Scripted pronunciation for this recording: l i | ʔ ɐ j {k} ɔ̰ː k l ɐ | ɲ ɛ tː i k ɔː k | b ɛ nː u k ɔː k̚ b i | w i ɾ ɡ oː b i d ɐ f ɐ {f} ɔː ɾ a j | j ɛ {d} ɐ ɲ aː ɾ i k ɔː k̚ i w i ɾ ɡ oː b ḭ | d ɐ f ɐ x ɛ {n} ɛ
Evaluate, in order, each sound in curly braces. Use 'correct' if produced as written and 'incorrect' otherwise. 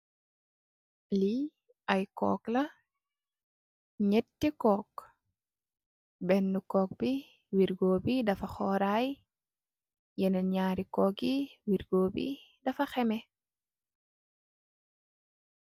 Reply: correct, incorrect: x, incorrect: n, incorrect: m

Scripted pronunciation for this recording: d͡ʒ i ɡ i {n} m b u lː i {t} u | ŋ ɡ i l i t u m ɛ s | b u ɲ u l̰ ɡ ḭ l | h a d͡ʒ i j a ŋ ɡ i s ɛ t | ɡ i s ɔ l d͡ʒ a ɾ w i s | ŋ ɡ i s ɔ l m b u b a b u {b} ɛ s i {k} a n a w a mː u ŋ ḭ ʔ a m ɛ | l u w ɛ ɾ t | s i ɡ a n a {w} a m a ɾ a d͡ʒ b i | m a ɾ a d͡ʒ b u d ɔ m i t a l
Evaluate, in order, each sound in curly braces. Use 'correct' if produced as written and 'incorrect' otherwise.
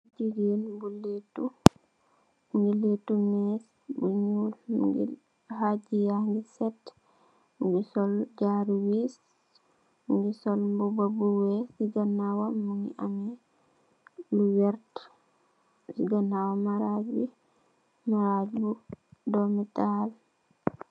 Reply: correct, correct, incorrect: w, incorrect: ɡ, correct

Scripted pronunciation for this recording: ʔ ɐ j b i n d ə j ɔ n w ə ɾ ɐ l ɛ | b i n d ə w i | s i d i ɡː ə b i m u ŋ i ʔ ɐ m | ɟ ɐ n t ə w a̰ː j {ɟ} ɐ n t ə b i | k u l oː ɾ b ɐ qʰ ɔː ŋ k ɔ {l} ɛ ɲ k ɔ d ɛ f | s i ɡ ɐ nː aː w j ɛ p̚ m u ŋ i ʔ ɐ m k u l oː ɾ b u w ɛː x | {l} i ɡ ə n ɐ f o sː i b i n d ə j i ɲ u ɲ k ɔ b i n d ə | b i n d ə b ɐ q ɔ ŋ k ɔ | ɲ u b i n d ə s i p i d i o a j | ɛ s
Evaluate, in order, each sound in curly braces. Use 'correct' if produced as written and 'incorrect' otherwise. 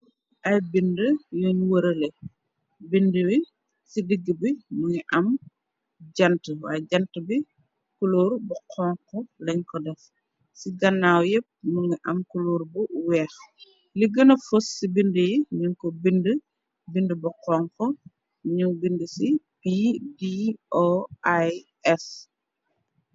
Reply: correct, correct, correct

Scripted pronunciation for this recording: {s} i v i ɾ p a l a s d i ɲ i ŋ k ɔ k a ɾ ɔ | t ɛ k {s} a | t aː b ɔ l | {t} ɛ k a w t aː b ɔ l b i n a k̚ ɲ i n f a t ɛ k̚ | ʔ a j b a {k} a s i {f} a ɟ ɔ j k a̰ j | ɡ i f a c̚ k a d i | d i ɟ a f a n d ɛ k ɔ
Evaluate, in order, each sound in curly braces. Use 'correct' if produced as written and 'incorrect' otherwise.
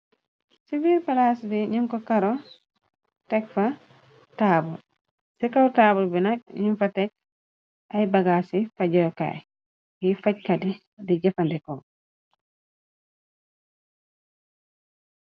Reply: correct, incorrect: f, incorrect: s, incorrect: ɡ, correct

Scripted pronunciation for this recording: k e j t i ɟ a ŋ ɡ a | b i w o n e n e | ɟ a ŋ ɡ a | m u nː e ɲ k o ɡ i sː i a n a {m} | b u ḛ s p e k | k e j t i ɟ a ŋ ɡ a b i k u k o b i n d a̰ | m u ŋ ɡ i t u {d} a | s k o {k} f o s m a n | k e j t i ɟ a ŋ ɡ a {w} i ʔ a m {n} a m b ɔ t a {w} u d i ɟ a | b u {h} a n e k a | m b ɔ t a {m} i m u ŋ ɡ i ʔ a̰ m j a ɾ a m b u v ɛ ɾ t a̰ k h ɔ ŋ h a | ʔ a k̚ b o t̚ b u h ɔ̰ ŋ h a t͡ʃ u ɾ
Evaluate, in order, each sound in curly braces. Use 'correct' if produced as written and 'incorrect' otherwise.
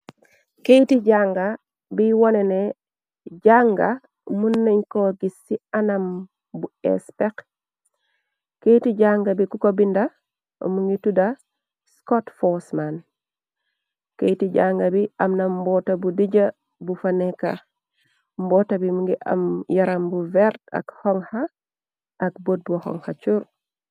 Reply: correct, correct, incorrect: t, incorrect: b, correct, incorrect: b, incorrect: f, incorrect: b

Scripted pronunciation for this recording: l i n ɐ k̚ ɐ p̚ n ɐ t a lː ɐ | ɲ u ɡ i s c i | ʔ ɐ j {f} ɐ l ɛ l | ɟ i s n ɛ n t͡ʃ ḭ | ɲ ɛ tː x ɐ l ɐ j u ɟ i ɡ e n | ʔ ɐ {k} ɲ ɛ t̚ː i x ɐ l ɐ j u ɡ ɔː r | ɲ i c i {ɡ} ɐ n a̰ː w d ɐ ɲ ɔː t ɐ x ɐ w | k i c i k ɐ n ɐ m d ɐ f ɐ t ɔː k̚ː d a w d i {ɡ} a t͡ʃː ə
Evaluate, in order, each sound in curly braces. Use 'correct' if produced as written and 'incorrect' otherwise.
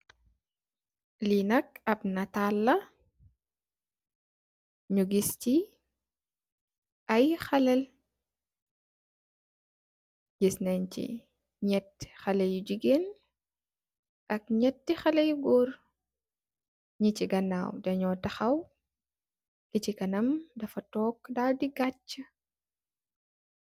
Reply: incorrect: x, correct, correct, correct

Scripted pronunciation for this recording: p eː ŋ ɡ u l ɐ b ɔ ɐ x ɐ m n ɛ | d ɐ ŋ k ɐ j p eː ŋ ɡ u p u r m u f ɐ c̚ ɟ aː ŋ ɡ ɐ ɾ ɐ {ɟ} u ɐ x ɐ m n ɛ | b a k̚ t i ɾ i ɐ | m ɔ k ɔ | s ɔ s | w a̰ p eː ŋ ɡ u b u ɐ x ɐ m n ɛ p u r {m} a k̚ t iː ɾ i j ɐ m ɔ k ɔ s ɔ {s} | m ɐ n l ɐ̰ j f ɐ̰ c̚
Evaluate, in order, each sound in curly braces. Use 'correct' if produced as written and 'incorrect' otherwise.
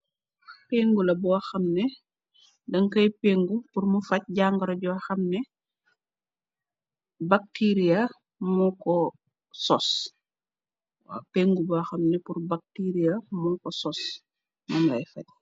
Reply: correct, incorrect: b, correct

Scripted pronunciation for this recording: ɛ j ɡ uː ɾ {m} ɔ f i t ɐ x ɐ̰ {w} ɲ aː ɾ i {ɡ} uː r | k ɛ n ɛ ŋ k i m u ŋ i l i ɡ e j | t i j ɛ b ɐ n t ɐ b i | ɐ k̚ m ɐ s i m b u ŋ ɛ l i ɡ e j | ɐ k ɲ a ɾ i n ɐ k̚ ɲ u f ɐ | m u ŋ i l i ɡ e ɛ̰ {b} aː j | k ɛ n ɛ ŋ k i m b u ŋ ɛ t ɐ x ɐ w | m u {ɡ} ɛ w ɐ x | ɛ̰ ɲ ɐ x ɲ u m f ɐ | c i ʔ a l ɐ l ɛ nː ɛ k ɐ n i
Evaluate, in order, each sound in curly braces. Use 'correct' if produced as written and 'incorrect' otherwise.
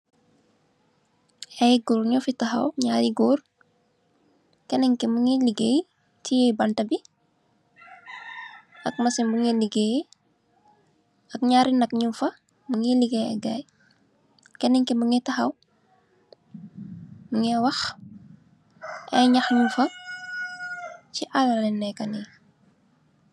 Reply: incorrect: ɲ, correct, correct, incorrect: ɡ, incorrect: ŋ

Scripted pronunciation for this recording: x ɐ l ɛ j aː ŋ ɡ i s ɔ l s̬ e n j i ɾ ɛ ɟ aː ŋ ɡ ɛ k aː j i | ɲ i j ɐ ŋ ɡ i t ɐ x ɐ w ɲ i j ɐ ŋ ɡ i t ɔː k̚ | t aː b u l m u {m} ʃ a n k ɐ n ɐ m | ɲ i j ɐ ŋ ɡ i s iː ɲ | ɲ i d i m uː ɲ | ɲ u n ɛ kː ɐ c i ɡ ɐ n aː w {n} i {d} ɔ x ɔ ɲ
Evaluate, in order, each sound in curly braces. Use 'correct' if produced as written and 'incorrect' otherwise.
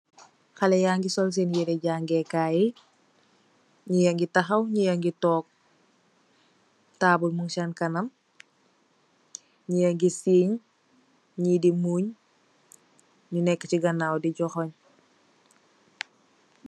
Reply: incorrect: ŋ, incorrect: d, incorrect: ɟ

